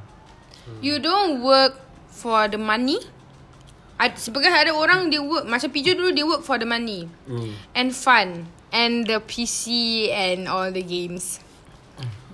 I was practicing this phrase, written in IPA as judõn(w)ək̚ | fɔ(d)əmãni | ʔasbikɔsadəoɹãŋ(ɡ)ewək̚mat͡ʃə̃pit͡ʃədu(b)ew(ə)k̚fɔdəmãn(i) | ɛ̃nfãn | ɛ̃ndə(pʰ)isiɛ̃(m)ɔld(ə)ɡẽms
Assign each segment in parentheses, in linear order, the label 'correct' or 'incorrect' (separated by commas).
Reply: correct, correct, incorrect, incorrect, correct, correct, correct, incorrect, correct